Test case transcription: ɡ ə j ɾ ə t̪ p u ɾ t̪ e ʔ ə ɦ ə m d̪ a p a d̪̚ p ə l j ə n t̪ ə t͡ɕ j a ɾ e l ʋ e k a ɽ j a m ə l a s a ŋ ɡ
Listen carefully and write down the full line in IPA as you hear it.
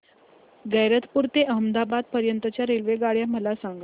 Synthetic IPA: ɡ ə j ɾ ə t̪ p u ɾ t̪ e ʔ ə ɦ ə m d̪ a b a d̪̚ p ə ɾ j ə n t̪ ə t͡ɕ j a ɾ e l ʋ e ɡ a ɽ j a m ə l a s a ŋ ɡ